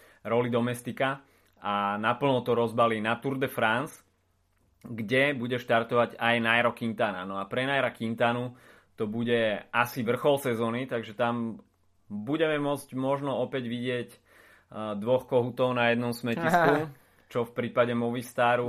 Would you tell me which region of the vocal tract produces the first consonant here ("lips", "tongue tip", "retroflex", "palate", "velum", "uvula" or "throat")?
tongue tip